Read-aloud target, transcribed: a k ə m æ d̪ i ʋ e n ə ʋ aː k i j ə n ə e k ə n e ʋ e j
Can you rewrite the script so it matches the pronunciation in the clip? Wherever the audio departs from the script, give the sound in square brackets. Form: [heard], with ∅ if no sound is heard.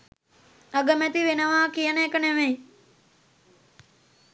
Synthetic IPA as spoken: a [ɡ] ə m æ [t̪] i ʋ e n ə ʋ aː k i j ə n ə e k ə n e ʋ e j